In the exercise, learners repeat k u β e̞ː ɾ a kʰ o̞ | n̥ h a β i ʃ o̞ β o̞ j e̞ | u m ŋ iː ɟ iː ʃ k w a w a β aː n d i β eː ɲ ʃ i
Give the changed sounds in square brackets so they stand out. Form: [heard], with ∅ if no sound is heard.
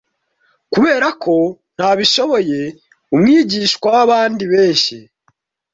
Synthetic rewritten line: k u β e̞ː ɾ a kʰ o̞ | n̥ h a β i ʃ o̞ β o̞ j e̞ | u m ŋ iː ɟ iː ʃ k w a w a β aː n d i β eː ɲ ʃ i